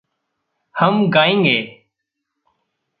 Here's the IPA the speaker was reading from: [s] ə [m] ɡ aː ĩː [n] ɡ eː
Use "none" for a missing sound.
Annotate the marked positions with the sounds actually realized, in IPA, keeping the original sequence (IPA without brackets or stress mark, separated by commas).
h, m, ŋ